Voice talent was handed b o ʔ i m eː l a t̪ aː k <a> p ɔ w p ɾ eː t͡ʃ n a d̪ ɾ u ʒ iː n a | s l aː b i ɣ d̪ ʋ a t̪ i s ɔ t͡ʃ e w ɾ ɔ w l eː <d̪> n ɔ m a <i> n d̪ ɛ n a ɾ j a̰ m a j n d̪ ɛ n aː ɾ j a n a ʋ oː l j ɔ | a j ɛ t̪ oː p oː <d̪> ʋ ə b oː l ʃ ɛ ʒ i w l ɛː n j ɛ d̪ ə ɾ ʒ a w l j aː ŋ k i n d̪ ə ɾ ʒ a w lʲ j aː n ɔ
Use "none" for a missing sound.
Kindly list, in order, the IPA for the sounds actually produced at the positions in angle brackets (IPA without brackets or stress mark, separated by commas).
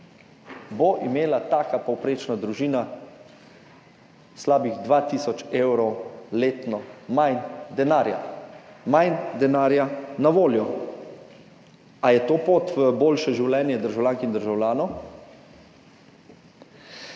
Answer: a, t̪, j, t̪